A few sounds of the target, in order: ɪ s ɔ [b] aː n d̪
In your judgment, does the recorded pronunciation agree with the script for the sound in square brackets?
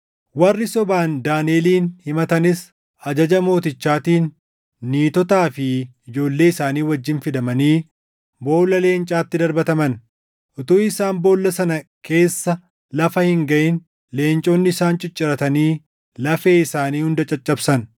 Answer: yes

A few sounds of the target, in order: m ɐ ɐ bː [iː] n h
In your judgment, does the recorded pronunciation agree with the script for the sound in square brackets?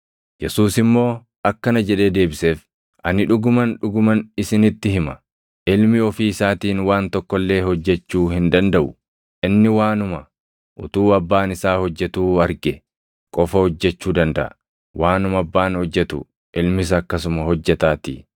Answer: no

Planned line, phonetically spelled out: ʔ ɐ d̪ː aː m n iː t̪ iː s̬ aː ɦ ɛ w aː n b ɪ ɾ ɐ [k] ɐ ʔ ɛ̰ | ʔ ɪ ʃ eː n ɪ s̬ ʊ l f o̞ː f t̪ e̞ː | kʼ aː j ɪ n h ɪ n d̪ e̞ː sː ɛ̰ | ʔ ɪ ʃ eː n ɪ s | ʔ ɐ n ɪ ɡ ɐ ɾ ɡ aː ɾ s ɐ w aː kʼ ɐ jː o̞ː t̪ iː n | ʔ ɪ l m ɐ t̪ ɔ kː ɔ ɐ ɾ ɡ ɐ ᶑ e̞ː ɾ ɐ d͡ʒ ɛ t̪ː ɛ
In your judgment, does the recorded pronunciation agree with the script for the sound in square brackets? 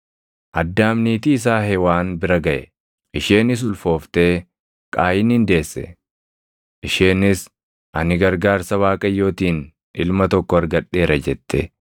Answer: no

